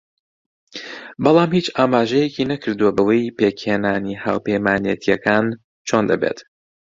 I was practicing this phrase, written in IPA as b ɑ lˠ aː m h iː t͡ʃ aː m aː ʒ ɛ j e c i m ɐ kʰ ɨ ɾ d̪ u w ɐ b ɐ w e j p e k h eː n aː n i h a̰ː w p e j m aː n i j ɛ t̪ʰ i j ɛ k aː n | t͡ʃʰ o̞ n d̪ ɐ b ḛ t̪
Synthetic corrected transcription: b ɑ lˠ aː m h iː t͡ʃ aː m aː ʒ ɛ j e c i n ɐ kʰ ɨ ɾ d̪ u w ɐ b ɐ w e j p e k h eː n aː n i h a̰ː w p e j m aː n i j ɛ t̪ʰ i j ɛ k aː n | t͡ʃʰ o̞ n d̪ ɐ b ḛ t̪